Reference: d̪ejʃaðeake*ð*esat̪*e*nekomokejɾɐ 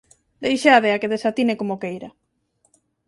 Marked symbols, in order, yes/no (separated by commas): yes, no